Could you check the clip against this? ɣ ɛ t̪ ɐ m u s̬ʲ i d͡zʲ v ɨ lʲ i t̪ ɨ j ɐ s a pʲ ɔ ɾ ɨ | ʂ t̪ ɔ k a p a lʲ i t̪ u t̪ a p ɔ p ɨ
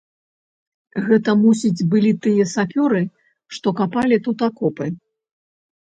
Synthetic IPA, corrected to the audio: ɣ ɛ t̪ ɐ m u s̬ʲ i d͡zʲ b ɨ lʲ i t̪ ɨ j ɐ s a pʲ ɔ ɾ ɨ | ʂ t̪ ɔ k a p a lʲ i t̪ u t̪ a k ɔ p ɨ